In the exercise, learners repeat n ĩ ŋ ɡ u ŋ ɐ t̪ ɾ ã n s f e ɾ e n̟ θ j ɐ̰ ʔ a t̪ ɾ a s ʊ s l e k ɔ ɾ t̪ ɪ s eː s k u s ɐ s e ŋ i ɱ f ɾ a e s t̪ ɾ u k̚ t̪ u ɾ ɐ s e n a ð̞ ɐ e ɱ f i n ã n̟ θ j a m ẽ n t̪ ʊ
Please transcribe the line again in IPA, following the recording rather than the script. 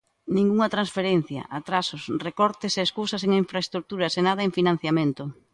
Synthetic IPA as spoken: n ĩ ŋ ɡ u ŋ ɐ t̪ ɾ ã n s f e ɾ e n̟ θ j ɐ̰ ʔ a t̪ ɾ a s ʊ s r e k ɔ ɾ t̪ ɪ s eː s k u s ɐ s e ŋ i ɱ f ɾ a e s t̪ ɾ u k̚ t̪ u ɾ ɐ s e n a ð̞ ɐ e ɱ f i n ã n̟ θ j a m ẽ n t̪ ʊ